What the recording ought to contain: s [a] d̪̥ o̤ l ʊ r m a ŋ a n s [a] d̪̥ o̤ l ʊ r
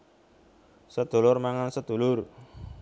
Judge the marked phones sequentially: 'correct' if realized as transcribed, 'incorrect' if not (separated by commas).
incorrect, incorrect